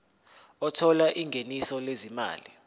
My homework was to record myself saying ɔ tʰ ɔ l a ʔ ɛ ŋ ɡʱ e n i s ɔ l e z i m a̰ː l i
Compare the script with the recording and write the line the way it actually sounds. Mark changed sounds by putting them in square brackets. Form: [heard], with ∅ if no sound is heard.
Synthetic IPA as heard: ɔ tʰ ɔ l a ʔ [i] ŋ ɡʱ e n i s ɔ l e z i m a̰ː l i